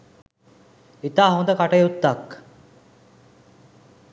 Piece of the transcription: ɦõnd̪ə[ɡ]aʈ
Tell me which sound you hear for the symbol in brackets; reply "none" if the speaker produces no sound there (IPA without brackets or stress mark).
k